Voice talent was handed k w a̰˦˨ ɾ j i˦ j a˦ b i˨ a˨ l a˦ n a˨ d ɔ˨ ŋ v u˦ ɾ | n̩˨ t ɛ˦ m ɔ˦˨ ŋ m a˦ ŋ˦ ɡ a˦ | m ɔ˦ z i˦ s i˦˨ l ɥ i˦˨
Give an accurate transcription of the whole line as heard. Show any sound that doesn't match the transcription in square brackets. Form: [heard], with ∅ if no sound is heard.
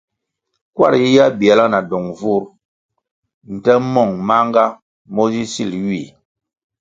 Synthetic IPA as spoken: k w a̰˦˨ ɾ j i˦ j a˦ b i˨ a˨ l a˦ n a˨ d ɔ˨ ŋ v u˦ ɾ | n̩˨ t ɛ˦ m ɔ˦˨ ŋ m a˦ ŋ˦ ɡ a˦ | m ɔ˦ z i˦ s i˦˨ l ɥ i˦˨